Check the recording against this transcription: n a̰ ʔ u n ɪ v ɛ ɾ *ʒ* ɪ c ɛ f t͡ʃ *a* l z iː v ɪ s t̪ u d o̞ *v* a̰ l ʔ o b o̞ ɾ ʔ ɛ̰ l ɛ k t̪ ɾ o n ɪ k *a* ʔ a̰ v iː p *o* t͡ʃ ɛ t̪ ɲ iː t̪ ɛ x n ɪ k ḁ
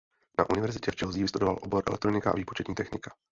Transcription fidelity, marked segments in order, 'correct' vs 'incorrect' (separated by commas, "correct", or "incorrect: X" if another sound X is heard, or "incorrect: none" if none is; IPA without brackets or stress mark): incorrect: z, incorrect: ɛ, correct, correct, correct